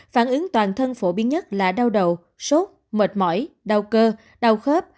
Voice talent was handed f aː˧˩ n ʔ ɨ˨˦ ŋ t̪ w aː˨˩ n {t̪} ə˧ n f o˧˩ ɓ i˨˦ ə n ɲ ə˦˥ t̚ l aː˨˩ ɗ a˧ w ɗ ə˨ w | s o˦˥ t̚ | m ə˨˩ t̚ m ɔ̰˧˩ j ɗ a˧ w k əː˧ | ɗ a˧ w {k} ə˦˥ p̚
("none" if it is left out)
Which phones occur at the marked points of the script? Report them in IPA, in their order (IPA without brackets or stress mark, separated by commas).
t̪ʰ, x